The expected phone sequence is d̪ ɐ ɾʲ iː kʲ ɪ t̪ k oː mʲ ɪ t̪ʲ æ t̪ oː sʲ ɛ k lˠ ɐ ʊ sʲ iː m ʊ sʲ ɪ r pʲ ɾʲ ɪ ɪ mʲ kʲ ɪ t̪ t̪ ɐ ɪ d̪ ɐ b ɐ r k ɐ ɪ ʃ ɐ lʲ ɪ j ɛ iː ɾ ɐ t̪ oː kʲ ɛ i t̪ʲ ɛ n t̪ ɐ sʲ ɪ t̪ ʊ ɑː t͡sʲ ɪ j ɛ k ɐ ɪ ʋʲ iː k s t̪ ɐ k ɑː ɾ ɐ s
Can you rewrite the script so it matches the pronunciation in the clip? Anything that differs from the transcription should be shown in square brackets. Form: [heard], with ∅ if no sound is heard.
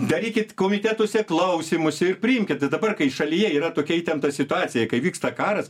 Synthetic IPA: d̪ ɐ ɾʲ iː kʲ ɪ t̪ k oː mʲ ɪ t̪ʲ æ t̪ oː sʲ ɛ k lˠ ɐ ʊ sʲ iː m ʊ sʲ ɪ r pʲ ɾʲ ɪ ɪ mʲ kʲ ɪ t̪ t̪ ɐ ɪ d̪ ɐ b ɐ r k ɐ ɪ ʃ ɐ lʲ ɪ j ɛ iː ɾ ɐ t̪ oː kʲ ɛ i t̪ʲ ɛ n t̪ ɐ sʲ ɪ t̪ ʊ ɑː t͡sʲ ɪ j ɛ k ɐ ɪ ʋʲ iː k s t̪ ɐ k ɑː ɾ ɐ s